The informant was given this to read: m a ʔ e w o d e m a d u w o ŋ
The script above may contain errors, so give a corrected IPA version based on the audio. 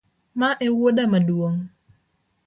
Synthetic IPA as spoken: m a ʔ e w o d a m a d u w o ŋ